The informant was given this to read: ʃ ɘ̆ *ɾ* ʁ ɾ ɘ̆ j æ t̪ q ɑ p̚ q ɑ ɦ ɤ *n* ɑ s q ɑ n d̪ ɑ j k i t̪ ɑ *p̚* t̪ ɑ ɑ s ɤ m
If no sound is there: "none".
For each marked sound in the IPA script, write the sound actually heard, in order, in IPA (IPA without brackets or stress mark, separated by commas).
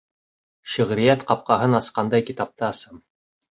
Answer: none, n, p̚